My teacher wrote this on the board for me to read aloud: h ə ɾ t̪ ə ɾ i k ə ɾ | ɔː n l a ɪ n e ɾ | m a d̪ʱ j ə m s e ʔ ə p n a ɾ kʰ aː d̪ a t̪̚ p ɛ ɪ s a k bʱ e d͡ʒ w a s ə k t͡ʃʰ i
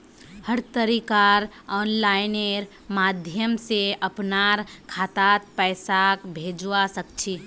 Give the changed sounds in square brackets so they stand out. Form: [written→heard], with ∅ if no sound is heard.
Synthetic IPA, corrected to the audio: h ə ɾ t̪ ə ɾ i k [ə→a] ɾ | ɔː n l a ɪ n e ɾ | m a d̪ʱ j ə m s e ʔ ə p n a ɾ kʰ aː [d̪→t̪] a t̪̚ p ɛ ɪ s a k bʱ e d͡ʒ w a s ə k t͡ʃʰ i